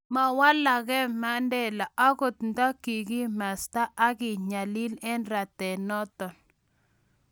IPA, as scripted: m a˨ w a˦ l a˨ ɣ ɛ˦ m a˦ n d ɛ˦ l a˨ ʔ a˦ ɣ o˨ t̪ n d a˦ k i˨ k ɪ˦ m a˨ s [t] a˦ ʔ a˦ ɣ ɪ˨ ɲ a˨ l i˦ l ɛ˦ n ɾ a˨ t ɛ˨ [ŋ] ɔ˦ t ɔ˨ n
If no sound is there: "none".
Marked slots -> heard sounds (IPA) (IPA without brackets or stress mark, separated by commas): t, n